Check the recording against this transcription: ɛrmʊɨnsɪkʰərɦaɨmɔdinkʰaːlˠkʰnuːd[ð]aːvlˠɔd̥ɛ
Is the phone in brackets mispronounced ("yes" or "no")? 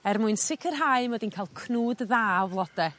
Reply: no